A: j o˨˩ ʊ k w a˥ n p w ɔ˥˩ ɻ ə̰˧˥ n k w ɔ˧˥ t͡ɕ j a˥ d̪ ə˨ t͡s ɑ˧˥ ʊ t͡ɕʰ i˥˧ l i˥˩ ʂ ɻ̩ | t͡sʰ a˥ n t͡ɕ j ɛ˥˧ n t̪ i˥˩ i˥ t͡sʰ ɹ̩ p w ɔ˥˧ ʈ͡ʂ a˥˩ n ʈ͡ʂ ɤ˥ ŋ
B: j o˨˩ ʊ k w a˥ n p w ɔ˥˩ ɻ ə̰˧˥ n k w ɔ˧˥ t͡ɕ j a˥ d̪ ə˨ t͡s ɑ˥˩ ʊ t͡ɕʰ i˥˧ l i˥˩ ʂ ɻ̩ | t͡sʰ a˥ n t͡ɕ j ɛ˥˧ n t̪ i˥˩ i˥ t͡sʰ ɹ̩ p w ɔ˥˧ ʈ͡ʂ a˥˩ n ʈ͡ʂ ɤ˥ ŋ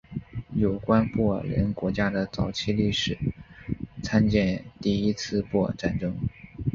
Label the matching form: A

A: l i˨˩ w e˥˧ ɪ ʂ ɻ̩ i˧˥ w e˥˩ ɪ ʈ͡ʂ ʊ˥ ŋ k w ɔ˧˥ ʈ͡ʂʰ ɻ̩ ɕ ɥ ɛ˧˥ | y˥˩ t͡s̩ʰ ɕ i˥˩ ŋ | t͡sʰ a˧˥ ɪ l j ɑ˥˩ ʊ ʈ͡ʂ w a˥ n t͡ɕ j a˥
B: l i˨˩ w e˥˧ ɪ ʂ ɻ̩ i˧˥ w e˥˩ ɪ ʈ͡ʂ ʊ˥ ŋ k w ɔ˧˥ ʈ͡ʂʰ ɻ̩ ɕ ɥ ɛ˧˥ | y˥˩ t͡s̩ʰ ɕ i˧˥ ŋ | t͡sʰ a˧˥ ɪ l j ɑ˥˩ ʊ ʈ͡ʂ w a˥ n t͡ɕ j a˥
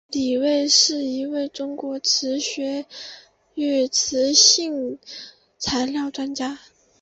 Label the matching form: A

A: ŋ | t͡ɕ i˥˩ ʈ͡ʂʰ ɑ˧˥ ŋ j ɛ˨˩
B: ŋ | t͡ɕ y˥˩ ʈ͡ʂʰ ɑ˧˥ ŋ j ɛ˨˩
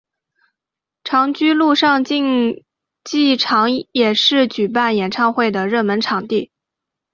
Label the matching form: A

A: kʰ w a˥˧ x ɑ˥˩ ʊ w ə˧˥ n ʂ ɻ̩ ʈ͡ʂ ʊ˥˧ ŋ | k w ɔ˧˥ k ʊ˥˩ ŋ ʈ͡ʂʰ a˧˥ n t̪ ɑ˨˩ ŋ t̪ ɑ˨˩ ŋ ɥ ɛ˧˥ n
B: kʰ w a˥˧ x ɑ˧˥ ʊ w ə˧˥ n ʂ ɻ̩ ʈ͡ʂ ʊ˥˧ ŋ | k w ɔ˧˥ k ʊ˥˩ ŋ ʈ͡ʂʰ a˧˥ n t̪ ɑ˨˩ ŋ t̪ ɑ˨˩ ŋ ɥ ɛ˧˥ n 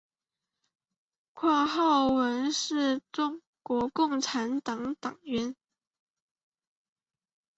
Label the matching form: A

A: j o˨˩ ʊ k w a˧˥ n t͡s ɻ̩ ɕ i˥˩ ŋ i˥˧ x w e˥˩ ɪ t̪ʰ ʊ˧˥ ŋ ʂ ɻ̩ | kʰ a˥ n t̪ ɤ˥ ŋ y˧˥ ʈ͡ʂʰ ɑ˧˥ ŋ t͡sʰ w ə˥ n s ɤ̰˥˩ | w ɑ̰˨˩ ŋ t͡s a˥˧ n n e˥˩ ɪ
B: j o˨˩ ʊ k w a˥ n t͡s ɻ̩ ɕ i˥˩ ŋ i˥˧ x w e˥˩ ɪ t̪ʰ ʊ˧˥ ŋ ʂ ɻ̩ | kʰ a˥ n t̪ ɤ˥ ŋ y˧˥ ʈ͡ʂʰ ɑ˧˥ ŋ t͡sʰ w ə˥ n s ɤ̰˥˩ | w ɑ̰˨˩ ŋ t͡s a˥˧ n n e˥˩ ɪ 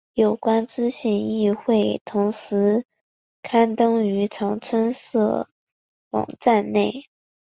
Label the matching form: B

